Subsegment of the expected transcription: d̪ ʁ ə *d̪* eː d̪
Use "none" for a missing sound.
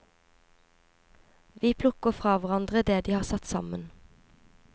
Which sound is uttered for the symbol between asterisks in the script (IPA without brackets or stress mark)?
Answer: d̪